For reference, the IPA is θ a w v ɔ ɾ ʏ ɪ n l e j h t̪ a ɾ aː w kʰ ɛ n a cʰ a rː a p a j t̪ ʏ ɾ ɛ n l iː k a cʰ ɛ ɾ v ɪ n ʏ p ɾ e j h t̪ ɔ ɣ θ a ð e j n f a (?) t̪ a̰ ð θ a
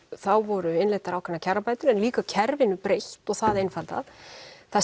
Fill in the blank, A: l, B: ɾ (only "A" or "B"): A